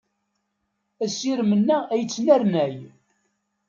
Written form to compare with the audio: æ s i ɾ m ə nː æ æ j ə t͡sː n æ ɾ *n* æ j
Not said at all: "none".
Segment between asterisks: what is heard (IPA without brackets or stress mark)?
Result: n